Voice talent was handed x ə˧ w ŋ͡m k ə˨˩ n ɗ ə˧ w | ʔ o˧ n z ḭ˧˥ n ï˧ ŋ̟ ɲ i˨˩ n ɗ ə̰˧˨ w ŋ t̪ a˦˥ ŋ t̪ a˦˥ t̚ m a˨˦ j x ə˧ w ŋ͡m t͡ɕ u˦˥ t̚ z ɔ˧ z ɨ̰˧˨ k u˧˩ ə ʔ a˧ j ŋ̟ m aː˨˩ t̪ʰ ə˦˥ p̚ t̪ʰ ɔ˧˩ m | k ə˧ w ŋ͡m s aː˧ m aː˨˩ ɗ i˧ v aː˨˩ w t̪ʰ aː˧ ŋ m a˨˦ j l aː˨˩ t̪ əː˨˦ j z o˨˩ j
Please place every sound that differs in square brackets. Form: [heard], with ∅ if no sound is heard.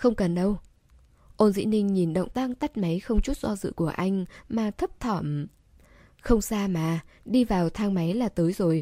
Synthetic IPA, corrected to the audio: x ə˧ w ŋ͡m k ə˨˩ n ɗ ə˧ w | ʔ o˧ n z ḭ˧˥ n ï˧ ŋ̟ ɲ i˨˩ n ɗ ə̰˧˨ w [ŋ͡m] t̪ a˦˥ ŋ t̪ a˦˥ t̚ m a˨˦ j x ə˧ w ŋ͡m t͡ɕ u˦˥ t̚ z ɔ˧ z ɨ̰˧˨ k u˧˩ ə ʔ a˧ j ŋ̟ m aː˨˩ t̪ʰ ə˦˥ p̚ t̪ʰ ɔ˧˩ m | [x] ə˧ w ŋ͡m s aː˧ m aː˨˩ ɗ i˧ v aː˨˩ w t̪ʰ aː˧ ŋ m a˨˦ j l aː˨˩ t̪ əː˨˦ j z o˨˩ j